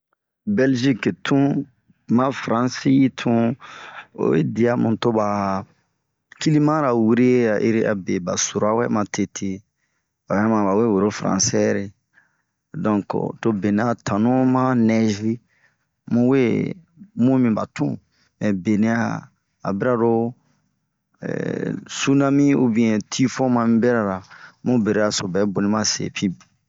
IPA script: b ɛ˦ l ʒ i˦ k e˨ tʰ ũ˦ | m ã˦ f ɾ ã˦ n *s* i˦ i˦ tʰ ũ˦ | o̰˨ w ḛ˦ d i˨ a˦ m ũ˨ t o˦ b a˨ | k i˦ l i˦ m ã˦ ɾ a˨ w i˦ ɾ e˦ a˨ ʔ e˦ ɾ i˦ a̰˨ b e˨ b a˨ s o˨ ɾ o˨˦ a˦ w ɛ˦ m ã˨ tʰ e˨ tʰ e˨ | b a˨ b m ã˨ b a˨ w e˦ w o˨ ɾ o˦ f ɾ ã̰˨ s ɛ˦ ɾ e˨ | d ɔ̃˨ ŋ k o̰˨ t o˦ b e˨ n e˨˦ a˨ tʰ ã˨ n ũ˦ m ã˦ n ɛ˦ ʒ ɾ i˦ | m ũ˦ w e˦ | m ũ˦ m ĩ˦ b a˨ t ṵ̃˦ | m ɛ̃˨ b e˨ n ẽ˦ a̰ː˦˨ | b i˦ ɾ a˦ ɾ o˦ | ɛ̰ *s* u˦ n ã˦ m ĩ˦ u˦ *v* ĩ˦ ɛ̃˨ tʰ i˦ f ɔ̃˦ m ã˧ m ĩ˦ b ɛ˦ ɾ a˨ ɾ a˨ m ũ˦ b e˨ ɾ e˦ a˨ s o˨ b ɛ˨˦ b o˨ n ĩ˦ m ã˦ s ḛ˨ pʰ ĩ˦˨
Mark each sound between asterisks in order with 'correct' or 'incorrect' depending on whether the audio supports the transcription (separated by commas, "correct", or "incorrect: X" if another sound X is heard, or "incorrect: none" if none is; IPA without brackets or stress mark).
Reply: correct, correct, incorrect: b